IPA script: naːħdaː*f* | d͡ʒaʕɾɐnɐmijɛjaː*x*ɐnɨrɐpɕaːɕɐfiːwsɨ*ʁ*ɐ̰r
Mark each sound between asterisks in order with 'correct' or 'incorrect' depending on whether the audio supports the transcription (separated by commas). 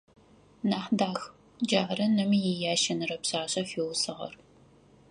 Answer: incorrect, incorrect, correct